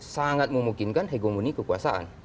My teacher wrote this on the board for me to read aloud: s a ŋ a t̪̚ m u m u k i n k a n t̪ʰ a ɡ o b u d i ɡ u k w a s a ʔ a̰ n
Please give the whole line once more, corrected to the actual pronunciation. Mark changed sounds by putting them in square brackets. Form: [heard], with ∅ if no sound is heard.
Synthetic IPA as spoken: s a ŋ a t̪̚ m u m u k i n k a n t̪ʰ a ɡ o [m] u [n] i [k] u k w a s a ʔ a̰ n